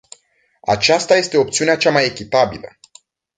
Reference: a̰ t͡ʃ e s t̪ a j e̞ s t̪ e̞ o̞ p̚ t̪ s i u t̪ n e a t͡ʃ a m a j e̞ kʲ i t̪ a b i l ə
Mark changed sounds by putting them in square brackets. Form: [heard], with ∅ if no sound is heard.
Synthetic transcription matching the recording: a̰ t͡ʃ [a] s t̪ a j e̞ s t̪ e̞ o̞ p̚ t̪ s i u [∅] n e a t͡ʃ a m a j e̞ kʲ i t̪ a b i l ə